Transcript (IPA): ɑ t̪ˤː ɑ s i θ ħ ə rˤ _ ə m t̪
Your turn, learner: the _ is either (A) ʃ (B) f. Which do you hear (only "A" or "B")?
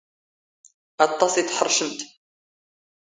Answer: A